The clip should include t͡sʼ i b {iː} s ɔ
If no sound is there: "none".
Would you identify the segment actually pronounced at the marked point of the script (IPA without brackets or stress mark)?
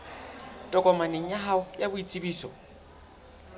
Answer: iː